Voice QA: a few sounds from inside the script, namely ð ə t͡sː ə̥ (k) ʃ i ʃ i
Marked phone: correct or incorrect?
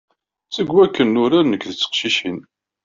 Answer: incorrect